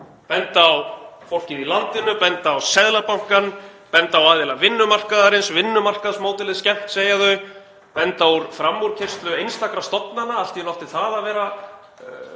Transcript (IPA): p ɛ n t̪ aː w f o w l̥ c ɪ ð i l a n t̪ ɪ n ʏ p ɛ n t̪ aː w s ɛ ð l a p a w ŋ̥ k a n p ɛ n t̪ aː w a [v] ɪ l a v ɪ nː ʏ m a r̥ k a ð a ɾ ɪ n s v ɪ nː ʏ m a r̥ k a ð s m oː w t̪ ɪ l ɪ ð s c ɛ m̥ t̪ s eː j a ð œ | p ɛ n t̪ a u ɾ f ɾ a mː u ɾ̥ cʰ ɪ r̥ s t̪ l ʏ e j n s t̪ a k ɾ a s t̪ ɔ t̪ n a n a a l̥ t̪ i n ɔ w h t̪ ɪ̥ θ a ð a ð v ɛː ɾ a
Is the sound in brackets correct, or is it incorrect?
incorrect